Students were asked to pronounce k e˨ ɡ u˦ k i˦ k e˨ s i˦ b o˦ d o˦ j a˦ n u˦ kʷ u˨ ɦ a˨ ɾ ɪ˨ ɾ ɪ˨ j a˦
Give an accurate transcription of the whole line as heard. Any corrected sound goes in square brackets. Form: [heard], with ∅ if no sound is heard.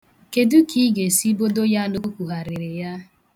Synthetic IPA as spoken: k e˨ [d] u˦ k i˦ [ɡ] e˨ s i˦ b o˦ d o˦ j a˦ n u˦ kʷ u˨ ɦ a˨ ɾ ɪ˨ ɾ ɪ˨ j a˦